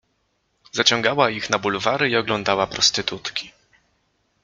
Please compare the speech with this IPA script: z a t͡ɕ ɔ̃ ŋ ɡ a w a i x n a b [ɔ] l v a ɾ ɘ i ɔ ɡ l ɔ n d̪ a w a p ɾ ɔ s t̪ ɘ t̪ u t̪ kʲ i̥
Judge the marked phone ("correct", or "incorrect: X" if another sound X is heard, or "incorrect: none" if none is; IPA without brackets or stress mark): incorrect: u